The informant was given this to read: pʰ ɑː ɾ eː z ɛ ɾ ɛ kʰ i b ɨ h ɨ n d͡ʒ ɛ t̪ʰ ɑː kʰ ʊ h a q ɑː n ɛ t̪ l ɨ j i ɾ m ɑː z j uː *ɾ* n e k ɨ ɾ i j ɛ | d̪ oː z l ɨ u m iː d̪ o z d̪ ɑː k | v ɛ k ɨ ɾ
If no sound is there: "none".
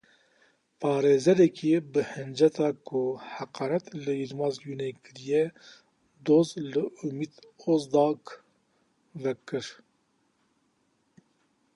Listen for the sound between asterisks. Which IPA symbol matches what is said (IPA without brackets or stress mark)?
none